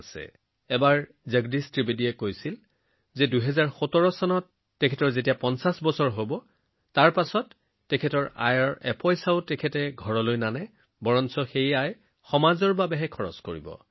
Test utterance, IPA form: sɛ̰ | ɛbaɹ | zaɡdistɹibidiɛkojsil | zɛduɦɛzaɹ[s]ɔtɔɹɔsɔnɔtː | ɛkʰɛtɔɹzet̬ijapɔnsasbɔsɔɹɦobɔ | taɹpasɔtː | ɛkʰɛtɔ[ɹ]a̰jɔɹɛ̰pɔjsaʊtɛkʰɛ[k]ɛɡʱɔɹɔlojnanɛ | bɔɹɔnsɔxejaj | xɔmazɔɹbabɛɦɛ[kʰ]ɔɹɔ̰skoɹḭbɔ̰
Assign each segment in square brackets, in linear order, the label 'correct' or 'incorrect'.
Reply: incorrect, correct, incorrect, correct

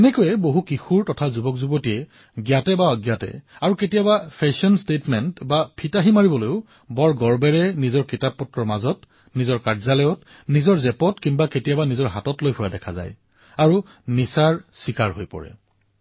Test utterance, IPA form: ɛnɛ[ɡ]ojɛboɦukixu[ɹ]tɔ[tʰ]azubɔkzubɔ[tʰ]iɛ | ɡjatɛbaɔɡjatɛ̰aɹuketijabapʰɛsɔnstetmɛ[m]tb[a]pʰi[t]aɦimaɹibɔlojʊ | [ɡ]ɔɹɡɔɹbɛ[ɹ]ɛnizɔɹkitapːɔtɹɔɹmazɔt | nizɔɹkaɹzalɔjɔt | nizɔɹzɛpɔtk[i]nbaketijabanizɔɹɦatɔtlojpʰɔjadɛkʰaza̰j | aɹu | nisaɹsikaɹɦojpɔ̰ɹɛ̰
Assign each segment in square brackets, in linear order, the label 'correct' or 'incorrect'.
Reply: incorrect, correct, correct, incorrect, incorrect, correct, correct, incorrect, correct, correct

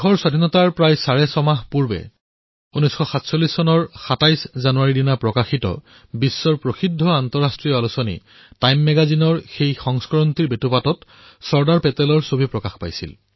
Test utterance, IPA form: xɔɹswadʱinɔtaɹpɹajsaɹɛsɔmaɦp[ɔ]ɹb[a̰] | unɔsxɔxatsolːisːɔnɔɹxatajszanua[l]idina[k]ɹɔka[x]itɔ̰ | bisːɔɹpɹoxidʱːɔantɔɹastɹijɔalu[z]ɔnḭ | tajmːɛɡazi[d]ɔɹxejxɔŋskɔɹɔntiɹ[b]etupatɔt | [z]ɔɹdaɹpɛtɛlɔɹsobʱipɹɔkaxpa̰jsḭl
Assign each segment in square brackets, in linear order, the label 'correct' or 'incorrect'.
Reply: incorrect, incorrect, incorrect, incorrect, correct, incorrect, incorrect, correct, incorrect

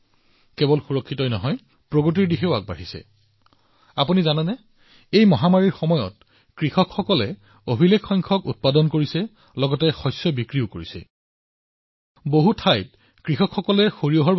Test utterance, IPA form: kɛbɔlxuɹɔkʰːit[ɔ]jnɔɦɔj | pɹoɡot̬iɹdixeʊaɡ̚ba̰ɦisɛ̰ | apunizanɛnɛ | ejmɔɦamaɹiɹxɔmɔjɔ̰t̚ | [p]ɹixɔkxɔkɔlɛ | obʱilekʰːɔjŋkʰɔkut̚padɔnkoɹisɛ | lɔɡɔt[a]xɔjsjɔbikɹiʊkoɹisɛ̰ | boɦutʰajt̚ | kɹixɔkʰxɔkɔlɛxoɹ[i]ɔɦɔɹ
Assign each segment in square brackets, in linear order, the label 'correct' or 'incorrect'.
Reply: correct, incorrect, incorrect, correct

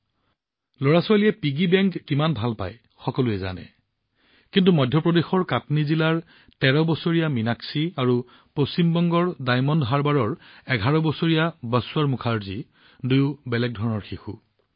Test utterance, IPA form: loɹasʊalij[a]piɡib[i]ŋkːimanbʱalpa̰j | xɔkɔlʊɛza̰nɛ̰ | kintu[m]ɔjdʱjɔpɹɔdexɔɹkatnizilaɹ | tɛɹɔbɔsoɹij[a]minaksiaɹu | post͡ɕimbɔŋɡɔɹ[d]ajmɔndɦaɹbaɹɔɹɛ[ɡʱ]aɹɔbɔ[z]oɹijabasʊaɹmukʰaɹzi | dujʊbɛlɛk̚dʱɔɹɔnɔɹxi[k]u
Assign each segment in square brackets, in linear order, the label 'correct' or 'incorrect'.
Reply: incorrect, incorrect, correct, correct, correct, correct, incorrect, incorrect

